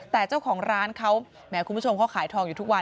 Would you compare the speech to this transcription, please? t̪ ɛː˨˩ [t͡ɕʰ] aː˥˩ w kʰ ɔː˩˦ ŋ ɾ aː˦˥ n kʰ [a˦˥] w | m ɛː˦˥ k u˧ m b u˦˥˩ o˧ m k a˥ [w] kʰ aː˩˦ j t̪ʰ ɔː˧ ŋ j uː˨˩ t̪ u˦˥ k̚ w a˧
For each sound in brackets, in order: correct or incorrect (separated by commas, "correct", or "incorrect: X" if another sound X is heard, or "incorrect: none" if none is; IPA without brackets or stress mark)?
incorrect: t͡ɕ, correct, correct